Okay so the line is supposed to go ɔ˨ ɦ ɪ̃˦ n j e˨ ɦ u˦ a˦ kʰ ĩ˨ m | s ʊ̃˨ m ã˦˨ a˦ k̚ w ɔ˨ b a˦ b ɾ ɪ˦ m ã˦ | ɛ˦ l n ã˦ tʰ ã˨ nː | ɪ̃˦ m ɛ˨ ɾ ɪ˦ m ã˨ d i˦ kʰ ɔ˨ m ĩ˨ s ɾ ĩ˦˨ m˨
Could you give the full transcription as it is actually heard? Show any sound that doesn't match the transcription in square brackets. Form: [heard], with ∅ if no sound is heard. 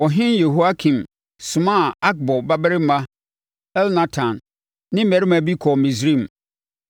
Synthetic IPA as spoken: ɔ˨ ɦ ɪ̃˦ n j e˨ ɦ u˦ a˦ kʰ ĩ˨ m | s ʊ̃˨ m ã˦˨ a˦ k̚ [b] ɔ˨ b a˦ b ɾ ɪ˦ m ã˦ | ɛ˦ l n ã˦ tʰ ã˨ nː | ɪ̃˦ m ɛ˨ ɾ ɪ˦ m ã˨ [b] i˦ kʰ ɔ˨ m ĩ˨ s ɾ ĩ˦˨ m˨